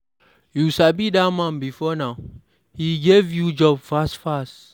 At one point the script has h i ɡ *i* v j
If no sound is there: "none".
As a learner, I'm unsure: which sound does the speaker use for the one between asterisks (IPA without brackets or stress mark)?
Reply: e